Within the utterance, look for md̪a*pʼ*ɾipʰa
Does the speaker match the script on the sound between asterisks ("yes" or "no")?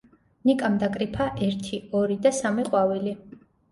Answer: no